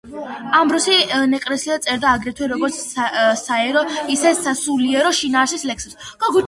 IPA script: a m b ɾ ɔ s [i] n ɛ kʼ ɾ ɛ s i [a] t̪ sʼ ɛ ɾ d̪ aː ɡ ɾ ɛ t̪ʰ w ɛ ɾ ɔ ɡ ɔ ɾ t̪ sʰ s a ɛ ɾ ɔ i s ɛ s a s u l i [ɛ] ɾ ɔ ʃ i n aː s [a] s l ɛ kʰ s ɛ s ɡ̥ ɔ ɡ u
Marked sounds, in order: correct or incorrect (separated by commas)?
correct, correct, correct, incorrect